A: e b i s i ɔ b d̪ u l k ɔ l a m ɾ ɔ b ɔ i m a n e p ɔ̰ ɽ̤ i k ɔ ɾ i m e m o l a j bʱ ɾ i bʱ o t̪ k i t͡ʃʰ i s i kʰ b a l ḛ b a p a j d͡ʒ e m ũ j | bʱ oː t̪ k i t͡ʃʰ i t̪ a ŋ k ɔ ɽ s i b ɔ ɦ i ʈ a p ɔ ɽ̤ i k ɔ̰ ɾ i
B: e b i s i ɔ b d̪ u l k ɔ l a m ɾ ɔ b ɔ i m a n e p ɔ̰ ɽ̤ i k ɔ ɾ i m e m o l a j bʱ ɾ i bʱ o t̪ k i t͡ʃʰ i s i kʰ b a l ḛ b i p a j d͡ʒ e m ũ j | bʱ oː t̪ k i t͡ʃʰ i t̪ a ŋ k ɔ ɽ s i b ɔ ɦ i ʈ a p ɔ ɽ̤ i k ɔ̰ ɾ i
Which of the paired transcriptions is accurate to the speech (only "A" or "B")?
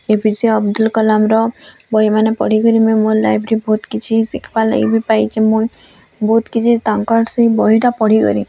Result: B